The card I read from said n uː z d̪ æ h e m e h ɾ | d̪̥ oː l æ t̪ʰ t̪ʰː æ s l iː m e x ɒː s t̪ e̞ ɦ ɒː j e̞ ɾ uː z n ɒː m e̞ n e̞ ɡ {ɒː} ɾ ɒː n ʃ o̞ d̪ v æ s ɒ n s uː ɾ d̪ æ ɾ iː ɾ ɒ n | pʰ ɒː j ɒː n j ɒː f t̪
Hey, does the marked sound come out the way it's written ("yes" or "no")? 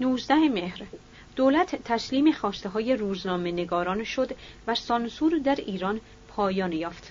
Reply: yes